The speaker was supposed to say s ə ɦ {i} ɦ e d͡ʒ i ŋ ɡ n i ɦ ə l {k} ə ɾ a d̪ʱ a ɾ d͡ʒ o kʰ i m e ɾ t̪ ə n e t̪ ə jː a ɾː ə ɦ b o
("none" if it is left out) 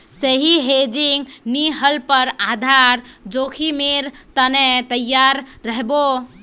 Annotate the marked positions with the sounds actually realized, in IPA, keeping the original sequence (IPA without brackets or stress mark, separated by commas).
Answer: i, p